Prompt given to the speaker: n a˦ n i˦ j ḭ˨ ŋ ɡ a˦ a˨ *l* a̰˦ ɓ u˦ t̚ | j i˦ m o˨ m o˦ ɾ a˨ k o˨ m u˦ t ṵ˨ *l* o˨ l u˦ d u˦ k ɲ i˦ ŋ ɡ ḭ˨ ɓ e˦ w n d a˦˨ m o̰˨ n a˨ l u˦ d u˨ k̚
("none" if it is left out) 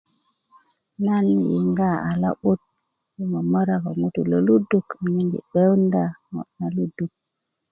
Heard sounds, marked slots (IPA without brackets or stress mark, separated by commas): l, l